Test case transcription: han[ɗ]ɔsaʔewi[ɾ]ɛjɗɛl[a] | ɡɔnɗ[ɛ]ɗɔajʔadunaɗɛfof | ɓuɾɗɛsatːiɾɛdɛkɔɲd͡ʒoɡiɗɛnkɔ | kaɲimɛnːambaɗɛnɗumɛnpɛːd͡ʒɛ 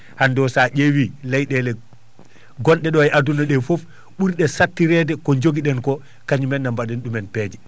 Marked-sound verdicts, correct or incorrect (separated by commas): incorrect, incorrect, incorrect, correct